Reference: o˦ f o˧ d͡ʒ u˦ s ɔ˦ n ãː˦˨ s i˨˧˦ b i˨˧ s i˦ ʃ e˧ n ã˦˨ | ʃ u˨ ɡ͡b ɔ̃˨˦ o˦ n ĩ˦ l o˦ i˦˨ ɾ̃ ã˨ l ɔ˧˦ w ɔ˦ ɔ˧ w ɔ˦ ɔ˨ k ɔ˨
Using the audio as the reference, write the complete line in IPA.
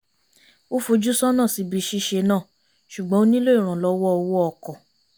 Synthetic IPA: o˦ f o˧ d͡ʒ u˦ s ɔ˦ n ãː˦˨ s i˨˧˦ b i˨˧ ʃ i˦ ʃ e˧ n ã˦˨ | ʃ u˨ ɡ͡b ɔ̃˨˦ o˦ n ĩ˦ l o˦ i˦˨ ɾ̃ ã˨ l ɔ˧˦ w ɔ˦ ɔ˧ w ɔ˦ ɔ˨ k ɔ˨